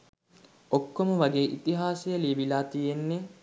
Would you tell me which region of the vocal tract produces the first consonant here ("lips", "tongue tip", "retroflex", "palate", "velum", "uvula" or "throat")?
velum